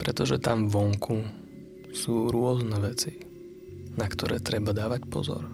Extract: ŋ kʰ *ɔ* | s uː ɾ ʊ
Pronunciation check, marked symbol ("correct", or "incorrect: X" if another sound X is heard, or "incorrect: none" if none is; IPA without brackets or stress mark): incorrect: u